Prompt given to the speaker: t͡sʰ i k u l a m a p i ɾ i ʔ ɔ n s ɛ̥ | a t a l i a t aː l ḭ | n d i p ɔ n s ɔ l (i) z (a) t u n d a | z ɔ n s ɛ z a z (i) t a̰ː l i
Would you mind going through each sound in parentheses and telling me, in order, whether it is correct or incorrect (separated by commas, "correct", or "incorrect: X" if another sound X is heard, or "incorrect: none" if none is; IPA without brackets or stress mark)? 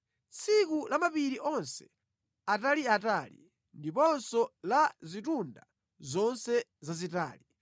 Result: incorrect: a, incorrect: i, correct